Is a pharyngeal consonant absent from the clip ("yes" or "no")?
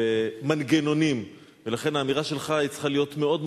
yes